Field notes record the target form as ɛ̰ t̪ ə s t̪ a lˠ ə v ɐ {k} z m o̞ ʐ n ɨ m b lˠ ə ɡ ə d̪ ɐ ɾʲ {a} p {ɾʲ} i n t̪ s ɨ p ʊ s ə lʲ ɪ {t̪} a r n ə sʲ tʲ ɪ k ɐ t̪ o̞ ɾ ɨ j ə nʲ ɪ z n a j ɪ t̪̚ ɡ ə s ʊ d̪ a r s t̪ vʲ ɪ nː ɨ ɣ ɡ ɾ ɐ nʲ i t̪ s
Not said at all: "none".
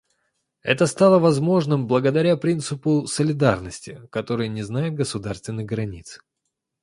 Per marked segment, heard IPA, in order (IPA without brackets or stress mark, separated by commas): none, a, ɾʲ, d̪